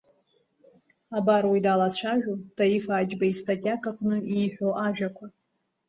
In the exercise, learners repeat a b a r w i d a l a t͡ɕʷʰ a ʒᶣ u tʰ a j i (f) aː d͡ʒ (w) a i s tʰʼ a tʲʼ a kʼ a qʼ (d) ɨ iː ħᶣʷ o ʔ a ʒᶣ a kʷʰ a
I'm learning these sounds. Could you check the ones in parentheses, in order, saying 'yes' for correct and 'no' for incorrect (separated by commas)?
yes, no, no